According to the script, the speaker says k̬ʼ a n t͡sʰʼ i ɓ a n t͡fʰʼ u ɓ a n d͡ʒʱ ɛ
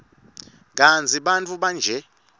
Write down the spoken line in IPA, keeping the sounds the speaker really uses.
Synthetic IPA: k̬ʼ a n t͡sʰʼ i ɓ a n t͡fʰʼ u ɓ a n d͡ʒʱ ɛ